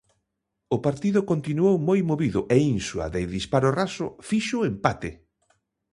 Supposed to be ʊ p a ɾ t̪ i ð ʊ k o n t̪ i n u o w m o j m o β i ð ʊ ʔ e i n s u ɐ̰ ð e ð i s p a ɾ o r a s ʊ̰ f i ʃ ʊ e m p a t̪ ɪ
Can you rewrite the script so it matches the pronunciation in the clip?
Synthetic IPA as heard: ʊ p a ɾ t̪ i ð ʊ k o n t̪ i n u o w m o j m o β i ð ʊ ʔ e i n s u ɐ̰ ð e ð i s p a ɾ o r a s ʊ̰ f i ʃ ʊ e m p a t̪ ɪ